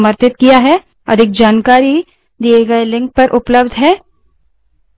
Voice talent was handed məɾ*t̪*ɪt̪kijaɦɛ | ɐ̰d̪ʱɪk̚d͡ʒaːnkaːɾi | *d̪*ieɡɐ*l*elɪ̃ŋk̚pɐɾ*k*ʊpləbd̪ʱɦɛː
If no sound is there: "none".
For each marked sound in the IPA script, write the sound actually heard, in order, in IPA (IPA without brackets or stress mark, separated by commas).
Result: t̪, d̪, none, ʔ